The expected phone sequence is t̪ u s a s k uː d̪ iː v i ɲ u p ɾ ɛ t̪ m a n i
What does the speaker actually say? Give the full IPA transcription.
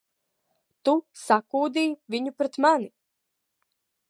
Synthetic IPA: t̪ u s a k uː d̪ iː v i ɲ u p ɾ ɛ t̪ m a n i